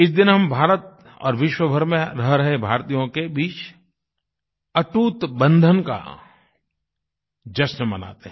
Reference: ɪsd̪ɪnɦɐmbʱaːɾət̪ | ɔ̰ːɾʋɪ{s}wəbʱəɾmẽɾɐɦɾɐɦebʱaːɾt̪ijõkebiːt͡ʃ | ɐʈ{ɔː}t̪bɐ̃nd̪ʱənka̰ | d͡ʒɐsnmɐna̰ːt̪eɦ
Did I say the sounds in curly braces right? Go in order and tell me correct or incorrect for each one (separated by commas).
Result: incorrect, incorrect